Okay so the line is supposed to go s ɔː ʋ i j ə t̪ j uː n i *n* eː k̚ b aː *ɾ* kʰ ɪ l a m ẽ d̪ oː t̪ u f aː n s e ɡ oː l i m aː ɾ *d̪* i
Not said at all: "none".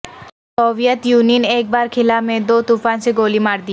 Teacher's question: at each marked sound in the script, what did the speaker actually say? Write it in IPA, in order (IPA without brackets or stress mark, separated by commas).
n, ɾ, d̪